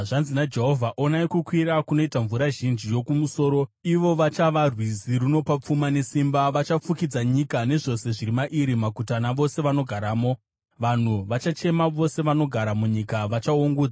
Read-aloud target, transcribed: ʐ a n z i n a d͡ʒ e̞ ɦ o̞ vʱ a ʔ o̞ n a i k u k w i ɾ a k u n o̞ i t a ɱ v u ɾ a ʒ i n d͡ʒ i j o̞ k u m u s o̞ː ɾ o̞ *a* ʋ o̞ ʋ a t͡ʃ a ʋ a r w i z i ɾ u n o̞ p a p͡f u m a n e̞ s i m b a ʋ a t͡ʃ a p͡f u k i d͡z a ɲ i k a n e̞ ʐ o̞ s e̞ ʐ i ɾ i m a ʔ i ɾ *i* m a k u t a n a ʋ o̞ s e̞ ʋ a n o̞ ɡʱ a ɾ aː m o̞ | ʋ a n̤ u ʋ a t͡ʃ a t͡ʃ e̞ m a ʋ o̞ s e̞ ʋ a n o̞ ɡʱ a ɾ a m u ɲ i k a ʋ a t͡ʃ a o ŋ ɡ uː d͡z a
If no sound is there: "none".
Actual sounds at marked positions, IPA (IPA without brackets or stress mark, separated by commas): i, i